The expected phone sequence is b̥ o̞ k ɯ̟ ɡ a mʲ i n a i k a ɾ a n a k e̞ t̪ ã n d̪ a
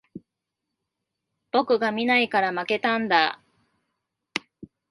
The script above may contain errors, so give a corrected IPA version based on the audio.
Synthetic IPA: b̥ o̞ k ɯ̟ ɡ a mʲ i n a i k a ɾ a m a k e̞ t̪ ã n d̪ a